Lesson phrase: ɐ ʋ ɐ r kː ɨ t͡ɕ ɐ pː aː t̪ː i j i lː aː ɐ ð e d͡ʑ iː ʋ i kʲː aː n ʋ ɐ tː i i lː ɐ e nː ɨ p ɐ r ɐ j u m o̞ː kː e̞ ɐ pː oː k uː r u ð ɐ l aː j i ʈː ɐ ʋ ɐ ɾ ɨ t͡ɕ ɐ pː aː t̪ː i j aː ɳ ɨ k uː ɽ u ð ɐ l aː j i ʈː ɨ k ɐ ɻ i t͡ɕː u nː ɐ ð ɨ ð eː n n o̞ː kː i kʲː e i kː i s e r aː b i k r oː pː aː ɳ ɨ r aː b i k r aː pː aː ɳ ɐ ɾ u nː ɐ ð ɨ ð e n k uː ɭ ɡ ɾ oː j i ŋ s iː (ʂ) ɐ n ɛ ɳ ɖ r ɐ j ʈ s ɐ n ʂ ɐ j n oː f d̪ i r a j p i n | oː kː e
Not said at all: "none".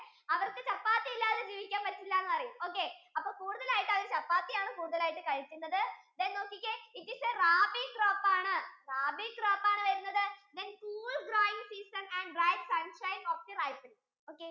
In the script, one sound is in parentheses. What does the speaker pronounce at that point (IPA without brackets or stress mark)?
s